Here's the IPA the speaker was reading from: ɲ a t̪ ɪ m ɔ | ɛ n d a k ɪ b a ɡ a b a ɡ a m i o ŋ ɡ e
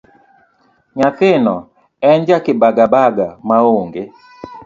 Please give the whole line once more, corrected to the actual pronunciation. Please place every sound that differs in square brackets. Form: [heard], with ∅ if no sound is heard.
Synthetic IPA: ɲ a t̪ ɪ [n] ɔ | ɛ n [d͡ʒ] a k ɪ b a ɡ a b a ɡ a m [a] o ŋ ɡ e